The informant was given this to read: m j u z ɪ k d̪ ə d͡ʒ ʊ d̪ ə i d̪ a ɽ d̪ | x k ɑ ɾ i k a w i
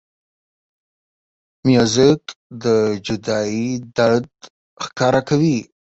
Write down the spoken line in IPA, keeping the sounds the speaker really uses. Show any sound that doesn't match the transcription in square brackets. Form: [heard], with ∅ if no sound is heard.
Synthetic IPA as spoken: m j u z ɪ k d̪ ə d͡ʒ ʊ d̪ [ɑ] i d̪ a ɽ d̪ | x k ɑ ɾ [a] k a w i

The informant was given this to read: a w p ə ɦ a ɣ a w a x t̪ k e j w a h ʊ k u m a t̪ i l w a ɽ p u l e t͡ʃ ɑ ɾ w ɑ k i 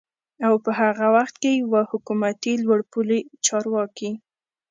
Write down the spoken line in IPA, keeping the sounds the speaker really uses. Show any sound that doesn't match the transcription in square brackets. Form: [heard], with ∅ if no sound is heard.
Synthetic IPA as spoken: a w p ə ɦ a ɣ a w a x t̪ k e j w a h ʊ k u m a t̪ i l w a ɽ p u l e t͡ʃ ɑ ɾ w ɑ k i

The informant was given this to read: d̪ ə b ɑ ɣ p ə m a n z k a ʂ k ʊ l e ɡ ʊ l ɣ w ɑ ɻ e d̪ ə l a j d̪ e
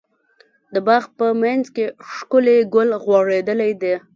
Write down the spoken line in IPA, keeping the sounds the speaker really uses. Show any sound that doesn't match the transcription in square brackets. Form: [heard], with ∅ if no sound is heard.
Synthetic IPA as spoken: d̪ ə b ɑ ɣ p ə m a n z k [e] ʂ k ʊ l e ɡ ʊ l ɣ w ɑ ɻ e d̪ ə l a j d̪ e

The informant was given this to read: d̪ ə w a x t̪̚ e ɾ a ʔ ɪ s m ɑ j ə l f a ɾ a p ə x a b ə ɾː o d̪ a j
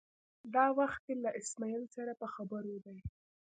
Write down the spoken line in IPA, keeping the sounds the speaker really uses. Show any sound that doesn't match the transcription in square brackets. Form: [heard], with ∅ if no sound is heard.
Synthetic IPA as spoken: d̪ [ɑ] w a x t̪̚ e [l] a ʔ ɪ s m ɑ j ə l [s] a ɾ a p ə x a b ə [ɾ] o d̪ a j

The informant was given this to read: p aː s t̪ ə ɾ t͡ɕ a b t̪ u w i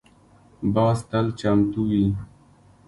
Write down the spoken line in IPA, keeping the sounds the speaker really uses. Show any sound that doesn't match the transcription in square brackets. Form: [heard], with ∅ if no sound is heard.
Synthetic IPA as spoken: [b] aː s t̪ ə [l] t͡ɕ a [m] t̪ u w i

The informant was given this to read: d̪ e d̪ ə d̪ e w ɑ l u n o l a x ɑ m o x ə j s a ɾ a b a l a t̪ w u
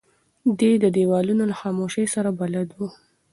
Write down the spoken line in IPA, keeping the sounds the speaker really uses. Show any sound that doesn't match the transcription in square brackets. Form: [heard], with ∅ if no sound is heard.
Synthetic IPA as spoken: d̪ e d̪ ə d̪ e w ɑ l u n o l a x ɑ m o [ʃ] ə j s a ɾ a b a l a [d̪] w u

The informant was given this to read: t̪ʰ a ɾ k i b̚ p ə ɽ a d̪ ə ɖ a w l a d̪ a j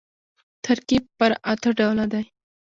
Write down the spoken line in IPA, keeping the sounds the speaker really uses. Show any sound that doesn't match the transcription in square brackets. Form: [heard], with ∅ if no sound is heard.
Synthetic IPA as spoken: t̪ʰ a ɾ k i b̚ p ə [ɾ] a [t̪] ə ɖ a w l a d̪ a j

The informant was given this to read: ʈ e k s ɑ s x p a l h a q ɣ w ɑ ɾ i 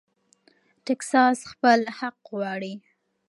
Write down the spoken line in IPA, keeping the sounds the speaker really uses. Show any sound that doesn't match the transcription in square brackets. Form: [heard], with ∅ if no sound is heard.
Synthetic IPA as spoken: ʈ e k s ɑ s x p [ə] l h a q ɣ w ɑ [ɽ] i

